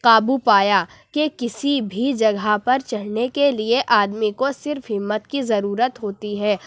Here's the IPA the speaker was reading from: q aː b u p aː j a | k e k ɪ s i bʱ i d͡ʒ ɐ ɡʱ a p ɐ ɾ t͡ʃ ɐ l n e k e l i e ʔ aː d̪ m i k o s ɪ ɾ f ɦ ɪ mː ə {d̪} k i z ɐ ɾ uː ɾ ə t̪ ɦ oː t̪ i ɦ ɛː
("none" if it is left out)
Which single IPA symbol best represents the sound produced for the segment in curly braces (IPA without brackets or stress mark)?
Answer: t̪